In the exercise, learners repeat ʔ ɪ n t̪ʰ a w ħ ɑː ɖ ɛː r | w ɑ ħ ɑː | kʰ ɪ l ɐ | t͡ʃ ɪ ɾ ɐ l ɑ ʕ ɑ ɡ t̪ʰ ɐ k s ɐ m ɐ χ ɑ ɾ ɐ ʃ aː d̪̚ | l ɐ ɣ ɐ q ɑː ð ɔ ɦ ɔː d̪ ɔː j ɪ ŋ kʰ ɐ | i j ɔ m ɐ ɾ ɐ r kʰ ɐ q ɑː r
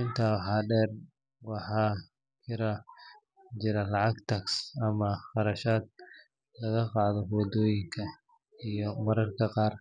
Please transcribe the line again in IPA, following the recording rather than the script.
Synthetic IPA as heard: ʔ ɪ n t̪ʰ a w ħ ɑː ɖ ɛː r | w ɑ ħ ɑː | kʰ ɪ ɾ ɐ | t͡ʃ ɪ ɾ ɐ l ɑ ʕ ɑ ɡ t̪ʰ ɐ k s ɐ m ɐ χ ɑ ɾ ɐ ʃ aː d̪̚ | l ɐ ɣ ɐ q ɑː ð ɔ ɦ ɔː d̪ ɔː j ɪ ŋ kʰ ɐ | i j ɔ m ɐ ɾ ɐ r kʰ ɐ q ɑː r